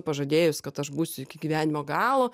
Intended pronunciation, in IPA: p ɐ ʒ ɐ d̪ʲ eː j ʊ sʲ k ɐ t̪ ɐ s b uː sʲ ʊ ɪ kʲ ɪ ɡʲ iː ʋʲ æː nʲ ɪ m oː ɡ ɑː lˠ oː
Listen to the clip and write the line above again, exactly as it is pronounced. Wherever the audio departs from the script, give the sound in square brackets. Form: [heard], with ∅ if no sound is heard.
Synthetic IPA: p ɐ ʒ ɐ d̪ʲ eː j ʊ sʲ k ɐ t̪ ɐ [ʃ] b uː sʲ ʊ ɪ kʲ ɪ ɡʲ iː ʋʲ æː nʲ ɪ m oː ɡ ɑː lˠ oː